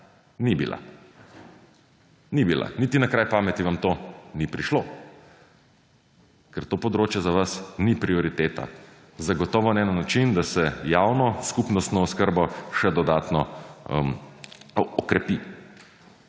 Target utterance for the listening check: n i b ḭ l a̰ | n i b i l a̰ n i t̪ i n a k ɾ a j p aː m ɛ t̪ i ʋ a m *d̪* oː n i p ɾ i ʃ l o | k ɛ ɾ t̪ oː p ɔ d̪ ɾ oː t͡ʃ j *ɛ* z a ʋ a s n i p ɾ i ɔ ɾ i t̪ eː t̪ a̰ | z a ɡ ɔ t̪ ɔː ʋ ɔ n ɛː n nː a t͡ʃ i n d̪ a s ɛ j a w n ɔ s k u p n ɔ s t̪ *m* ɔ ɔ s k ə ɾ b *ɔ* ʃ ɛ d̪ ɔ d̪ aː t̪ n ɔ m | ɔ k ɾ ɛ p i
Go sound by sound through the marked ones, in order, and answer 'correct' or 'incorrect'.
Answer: incorrect: t̪, correct, incorrect: n, correct

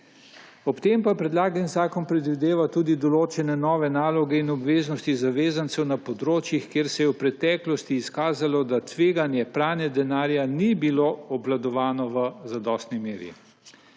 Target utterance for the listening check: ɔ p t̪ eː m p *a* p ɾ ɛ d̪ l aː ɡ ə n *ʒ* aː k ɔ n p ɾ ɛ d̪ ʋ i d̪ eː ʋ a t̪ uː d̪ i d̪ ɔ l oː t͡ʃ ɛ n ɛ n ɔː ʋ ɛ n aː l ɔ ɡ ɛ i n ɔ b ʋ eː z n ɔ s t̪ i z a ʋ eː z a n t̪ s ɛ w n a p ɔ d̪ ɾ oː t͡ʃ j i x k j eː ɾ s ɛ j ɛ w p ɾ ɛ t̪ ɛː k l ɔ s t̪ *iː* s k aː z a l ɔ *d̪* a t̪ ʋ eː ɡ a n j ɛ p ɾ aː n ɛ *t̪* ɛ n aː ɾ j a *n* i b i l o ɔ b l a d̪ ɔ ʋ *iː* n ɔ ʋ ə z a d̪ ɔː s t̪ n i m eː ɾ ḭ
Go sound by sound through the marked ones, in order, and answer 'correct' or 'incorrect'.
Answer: correct, incorrect: z, correct, correct, incorrect: d̪, correct, incorrect: aː

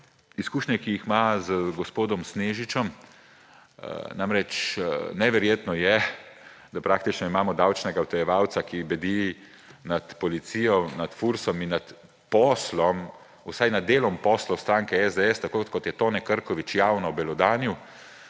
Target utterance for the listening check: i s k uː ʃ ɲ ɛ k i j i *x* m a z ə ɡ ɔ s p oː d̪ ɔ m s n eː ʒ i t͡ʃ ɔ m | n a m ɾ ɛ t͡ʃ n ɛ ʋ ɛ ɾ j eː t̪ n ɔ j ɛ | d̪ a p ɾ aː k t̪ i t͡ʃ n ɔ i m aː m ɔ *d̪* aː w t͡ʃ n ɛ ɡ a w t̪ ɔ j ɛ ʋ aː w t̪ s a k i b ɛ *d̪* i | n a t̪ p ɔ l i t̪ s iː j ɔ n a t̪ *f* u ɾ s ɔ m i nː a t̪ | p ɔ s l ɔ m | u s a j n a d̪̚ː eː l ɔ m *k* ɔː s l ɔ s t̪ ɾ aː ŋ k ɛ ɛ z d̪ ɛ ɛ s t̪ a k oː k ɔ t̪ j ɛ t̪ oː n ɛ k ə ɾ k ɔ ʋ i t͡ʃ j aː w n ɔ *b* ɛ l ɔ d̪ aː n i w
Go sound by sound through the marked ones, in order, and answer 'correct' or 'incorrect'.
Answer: correct, correct, correct, correct, incorrect: p, correct

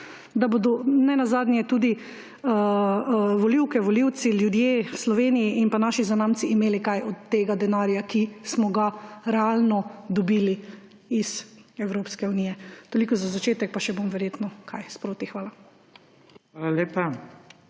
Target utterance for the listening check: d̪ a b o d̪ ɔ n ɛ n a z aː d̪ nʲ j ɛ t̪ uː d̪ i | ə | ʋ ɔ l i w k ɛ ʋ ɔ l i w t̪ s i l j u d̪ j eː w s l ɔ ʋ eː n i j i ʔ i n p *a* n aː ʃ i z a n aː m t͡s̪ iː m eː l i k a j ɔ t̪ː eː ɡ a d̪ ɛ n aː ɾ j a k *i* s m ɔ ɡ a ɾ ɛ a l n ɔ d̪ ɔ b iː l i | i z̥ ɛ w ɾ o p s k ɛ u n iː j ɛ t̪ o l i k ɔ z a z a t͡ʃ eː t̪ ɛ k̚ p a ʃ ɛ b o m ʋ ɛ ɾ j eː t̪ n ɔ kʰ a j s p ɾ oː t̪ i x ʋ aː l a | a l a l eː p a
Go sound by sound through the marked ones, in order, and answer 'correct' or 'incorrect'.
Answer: correct, correct

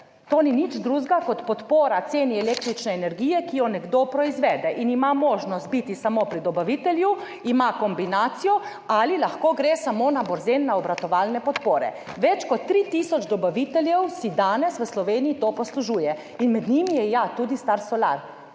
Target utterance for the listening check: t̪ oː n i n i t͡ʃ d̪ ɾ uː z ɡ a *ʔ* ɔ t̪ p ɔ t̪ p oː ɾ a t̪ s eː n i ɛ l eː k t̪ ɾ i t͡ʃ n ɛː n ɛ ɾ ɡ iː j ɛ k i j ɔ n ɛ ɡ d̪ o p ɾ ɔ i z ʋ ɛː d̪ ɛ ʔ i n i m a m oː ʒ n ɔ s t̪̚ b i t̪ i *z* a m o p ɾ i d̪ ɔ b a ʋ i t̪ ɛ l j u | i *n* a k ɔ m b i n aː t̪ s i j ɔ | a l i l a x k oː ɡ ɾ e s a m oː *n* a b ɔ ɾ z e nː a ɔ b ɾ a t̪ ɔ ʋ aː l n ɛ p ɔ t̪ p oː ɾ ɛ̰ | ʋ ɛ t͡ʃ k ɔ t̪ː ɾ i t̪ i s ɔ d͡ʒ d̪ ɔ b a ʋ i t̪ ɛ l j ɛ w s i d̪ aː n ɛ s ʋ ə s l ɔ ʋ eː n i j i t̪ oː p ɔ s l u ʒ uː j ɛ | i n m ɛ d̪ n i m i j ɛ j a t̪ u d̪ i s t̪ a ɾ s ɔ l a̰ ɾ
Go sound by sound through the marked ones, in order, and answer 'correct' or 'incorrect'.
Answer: incorrect: k, incorrect: s, incorrect: m, correct

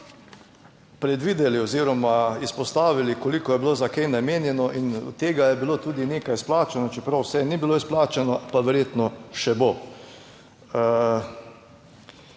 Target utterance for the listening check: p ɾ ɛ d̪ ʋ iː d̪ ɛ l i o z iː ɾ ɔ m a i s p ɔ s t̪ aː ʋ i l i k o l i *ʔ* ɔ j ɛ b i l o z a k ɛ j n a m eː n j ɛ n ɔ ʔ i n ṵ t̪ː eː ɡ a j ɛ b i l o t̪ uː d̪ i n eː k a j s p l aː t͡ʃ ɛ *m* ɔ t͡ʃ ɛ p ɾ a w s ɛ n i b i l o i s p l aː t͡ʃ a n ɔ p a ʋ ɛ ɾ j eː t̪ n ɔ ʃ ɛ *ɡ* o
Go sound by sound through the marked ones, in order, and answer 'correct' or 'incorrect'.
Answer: incorrect: k, incorrect: n, incorrect: b

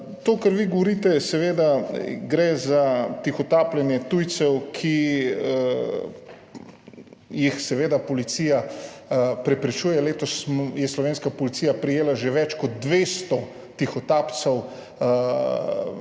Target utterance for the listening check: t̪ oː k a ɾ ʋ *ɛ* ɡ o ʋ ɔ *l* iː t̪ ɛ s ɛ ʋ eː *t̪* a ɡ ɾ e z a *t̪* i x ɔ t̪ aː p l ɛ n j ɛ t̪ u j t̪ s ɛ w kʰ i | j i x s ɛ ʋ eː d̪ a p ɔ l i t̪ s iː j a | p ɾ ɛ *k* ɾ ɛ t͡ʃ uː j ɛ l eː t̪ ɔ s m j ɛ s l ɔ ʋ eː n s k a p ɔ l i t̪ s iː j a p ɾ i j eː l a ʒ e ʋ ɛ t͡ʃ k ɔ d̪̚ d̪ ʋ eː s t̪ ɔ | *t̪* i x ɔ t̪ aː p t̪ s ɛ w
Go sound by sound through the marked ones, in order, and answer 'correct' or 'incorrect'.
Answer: incorrect: i, incorrect: ɾ, incorrect: d̪, correct, incorrect: p, correct

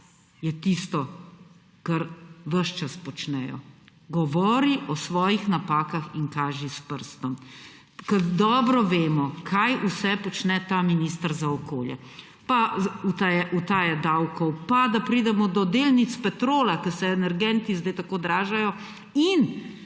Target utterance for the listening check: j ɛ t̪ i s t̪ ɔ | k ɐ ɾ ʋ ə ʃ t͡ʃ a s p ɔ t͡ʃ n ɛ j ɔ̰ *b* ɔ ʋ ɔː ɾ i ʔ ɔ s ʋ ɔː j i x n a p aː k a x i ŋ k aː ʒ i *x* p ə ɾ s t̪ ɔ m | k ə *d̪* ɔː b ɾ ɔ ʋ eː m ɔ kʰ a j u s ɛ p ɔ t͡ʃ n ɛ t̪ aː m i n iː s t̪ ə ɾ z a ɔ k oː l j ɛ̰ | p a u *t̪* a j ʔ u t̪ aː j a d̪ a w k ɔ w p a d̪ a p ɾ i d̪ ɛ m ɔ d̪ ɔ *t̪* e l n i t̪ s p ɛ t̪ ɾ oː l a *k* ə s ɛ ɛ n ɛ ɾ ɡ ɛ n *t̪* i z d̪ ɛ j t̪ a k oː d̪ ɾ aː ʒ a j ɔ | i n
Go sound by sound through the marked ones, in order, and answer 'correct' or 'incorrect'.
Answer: incorrect: ɡ, incorrect: s, correct, correct, incorrect: d̪, correct, correct

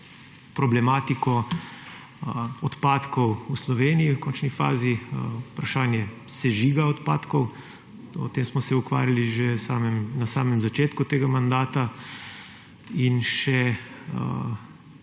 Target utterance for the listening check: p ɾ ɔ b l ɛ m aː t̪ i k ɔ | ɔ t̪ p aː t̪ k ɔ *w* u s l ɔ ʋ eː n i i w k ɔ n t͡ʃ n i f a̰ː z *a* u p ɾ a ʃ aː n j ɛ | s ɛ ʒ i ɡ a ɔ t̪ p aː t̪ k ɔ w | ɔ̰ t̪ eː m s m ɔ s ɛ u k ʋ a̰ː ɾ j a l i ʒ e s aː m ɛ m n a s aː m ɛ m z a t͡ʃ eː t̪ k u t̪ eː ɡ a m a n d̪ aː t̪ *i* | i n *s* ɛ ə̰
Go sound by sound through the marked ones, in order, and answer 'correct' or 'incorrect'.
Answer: correct, incorrect: i, incorrect: a, incorrect: ʃ

